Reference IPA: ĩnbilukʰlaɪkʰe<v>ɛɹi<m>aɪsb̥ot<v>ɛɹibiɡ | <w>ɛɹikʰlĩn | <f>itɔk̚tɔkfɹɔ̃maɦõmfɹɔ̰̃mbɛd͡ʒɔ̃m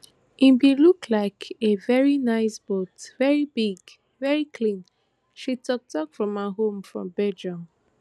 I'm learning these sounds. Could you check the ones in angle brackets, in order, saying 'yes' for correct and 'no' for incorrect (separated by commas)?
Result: yes, no, yes, no, no